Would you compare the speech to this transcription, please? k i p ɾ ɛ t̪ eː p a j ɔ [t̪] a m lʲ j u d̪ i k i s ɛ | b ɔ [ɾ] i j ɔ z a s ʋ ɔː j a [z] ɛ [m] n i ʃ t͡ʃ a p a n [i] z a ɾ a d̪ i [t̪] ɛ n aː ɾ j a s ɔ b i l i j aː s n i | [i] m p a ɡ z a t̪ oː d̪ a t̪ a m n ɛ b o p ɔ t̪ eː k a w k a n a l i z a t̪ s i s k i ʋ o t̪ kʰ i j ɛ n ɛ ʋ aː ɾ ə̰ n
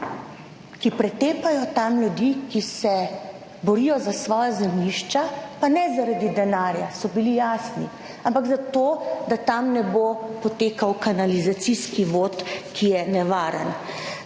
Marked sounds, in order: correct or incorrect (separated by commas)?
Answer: correct, correct, correct, correct, incorrect, incorrect, incorrect